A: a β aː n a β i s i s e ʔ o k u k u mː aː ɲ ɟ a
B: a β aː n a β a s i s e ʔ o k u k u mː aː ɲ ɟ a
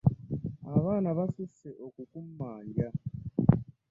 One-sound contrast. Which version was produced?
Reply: B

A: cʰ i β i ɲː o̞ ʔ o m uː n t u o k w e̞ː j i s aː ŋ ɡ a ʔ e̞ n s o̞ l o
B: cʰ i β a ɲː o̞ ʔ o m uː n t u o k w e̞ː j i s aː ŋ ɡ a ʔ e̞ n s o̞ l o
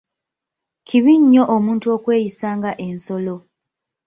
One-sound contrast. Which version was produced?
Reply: A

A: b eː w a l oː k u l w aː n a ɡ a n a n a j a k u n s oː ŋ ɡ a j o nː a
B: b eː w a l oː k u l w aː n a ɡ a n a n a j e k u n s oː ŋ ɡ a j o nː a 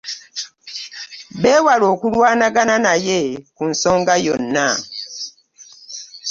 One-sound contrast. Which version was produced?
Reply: B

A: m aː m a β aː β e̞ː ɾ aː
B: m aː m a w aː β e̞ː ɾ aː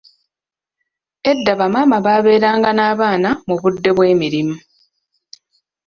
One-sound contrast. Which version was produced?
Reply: A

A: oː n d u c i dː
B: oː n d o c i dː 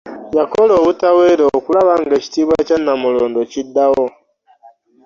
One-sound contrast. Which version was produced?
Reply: B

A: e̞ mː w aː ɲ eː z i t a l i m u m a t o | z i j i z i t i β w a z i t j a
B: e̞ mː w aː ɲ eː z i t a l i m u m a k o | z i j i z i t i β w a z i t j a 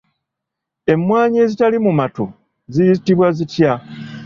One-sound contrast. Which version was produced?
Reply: A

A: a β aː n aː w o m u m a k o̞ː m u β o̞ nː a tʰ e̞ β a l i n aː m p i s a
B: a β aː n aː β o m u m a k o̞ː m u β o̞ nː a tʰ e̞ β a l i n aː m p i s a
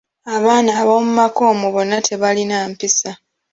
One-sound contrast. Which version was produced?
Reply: B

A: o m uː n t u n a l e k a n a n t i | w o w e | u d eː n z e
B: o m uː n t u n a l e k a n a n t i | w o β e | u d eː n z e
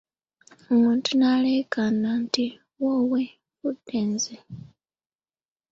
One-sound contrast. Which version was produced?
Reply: A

